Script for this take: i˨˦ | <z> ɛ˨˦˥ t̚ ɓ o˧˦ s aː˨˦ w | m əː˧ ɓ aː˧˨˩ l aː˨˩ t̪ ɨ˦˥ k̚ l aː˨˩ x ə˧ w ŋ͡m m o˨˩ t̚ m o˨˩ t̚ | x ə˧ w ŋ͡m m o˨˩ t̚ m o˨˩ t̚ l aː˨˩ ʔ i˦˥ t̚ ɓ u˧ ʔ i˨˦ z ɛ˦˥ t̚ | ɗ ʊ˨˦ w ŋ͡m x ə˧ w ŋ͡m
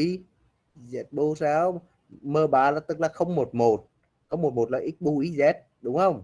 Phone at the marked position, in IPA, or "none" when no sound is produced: z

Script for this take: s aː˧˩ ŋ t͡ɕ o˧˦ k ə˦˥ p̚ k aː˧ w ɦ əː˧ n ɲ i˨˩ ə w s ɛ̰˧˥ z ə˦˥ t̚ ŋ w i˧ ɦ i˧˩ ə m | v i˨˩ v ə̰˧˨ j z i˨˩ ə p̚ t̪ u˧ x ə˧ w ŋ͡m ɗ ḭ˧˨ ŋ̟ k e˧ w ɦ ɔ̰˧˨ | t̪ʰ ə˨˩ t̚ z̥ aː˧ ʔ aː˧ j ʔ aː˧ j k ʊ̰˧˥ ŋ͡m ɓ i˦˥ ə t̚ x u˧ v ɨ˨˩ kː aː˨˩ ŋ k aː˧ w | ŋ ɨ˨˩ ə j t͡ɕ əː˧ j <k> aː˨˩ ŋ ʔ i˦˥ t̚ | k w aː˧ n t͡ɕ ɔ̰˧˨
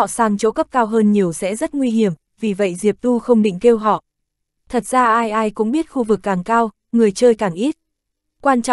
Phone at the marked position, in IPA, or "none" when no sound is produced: k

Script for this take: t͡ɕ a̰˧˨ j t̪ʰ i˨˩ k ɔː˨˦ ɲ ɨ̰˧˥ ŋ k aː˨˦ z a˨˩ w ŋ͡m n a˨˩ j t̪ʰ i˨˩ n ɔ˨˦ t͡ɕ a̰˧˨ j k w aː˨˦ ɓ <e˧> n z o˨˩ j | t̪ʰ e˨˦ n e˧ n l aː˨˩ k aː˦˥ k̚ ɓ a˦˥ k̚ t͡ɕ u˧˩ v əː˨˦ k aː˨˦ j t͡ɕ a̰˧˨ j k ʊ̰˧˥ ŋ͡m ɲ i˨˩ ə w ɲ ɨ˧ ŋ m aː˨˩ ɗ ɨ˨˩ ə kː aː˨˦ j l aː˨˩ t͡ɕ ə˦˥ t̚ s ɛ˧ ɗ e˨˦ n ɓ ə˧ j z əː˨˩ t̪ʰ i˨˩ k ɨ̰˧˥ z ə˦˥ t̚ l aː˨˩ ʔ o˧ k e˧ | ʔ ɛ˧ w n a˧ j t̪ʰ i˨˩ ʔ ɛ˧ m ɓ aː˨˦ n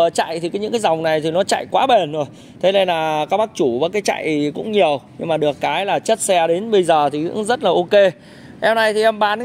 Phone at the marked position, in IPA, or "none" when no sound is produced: e˨˩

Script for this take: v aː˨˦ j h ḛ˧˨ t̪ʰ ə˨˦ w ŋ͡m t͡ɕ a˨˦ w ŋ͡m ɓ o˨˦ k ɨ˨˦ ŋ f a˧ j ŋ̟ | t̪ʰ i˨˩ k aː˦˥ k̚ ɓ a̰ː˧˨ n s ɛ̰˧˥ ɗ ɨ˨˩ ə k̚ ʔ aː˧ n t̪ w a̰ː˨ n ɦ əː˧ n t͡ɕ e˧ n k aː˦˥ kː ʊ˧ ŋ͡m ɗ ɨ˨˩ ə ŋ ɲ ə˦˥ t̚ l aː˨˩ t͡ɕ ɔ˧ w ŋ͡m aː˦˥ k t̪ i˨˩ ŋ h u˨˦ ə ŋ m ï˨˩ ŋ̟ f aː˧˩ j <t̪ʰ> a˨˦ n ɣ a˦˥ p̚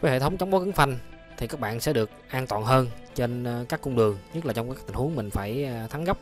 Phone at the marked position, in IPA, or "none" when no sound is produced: t̪ʰ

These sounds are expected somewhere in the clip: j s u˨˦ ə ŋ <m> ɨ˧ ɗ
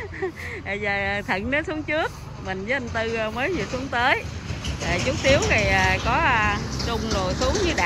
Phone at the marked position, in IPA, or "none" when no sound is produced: ɲ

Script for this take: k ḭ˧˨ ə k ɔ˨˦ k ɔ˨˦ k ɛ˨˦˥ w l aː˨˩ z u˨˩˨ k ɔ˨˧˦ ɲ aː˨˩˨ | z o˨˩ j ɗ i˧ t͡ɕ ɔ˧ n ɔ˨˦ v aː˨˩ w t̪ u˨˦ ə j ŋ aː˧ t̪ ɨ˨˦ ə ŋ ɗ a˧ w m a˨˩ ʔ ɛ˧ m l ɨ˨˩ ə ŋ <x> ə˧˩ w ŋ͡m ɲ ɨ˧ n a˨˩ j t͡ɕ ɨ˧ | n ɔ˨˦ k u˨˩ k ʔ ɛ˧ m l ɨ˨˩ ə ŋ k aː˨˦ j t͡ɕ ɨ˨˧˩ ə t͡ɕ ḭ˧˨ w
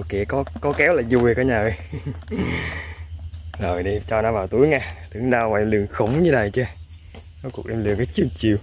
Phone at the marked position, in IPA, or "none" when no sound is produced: x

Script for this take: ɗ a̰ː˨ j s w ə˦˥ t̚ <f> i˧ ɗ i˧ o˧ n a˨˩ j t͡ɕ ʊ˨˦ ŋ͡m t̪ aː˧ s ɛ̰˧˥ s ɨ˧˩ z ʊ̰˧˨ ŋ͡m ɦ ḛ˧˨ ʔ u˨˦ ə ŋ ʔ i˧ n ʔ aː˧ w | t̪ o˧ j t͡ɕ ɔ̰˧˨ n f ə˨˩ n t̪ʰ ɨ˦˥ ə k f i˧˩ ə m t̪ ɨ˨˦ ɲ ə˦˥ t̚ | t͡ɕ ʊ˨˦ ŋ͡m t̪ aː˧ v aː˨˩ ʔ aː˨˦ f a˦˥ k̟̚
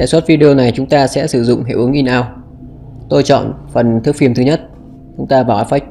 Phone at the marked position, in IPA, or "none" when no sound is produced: v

